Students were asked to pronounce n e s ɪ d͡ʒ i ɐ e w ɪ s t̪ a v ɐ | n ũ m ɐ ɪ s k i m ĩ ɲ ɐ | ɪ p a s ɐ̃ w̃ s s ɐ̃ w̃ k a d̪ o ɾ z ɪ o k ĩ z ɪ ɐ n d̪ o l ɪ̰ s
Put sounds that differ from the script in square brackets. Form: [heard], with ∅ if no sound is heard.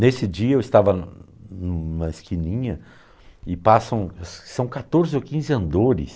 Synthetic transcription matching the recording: n e s ɪ d͡ʒ i ɐ e w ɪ s t̪ a v ɐ | n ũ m ɐ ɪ s k i [n] ĩ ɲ ɐ | ɪ p a s ɐ̃ w̃ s s ɐ̃ w̃ k a [t̪] o ɾ z ɪ o k ĩ z ɪ [ɐ̃] n d̪ o [ɾ] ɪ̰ s

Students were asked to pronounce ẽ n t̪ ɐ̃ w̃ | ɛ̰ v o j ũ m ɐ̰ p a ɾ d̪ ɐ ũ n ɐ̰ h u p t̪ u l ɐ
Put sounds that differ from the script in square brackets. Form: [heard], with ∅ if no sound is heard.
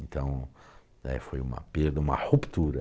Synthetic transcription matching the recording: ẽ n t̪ ɐ̃ w̃ | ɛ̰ [f] o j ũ m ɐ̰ p [e] ɾ d̪ ɐ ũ [m] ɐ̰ h u p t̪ u [ɾ] ɐ

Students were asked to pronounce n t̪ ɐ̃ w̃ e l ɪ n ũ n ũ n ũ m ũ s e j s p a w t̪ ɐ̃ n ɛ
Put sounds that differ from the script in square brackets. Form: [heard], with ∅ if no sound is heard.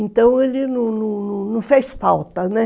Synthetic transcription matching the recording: n t̪ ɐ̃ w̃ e l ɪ n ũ n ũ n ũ [n] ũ [f] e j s p a w t̪ [ɐ] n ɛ

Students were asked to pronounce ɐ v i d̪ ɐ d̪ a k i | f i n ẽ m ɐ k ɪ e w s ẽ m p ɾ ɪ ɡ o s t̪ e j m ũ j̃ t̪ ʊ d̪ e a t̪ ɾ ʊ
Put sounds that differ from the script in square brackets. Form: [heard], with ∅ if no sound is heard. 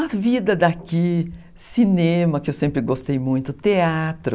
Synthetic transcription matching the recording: ɐ v i d̪ ɐ d̪ a k i | [s] i n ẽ m ɐ k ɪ e w s ẽ m p ɾ ɪ ɡ o s t̪ e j m ũ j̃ t̪ ʊ [t̪] e a t̪ ɾ ʊ

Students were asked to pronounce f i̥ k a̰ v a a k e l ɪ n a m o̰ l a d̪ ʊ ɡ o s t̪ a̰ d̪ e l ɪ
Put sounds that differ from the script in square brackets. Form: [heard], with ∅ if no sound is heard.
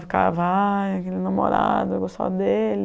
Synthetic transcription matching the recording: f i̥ k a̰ v a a k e l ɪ n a m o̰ [ɾ] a d̪ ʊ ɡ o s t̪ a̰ d̪ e l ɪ

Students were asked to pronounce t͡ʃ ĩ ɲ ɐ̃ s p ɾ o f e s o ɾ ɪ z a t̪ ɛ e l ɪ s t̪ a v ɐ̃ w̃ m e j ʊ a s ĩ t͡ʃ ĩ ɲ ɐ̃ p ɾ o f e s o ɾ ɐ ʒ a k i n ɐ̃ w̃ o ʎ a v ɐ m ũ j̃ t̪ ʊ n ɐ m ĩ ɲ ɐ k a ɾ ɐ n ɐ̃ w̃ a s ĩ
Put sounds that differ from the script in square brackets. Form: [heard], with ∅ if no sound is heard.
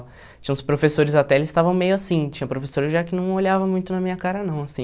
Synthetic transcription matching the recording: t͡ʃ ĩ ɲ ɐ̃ s p ɾ o f e s o ɾ ɪ z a t̪ ɛ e l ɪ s t̪ a v ɐ̃ w̃ m e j ʊ a s ĩ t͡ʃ ĩ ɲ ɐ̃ p ɾ o f e s o ɾ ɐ ʒ a k [ɪ] n ɐ̃ w̃ o ʎ a v ɐ m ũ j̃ t̪ ʊ n ɐ m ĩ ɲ ɐ k a ɾ ɐ n ɐ̃ w̃ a s ĩ

